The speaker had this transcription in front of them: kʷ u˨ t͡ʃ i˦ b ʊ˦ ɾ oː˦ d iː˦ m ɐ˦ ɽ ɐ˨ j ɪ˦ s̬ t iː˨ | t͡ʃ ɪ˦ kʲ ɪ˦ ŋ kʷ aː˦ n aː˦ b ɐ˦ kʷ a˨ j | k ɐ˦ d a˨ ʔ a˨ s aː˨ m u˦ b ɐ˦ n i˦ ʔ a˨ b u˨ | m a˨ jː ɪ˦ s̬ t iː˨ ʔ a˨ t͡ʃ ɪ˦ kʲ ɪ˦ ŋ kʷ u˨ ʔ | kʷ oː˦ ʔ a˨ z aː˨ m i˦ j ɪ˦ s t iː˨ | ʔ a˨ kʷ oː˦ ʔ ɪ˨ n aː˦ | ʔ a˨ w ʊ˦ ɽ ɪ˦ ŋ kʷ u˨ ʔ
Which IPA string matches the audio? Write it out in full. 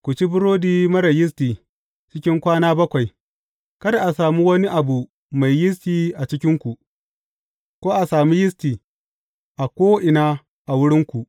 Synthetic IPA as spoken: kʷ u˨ t͡ʃ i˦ b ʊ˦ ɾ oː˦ d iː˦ m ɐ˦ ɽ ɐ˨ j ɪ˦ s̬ t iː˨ | t͡ʃ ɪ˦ kʲ ɪ˦ ŋ kʷ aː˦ n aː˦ b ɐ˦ kʷ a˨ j | k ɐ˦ d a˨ ʔ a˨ s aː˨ m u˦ w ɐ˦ n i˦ ʔ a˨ b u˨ | m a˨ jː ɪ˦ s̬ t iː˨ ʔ a˨ t͡ʃ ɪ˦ kʲ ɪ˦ ŋ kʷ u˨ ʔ | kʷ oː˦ ʔ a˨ s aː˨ m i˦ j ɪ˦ s t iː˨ | ʔ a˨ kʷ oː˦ ʔ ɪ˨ n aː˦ | ʔ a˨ w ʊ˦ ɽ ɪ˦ ŋ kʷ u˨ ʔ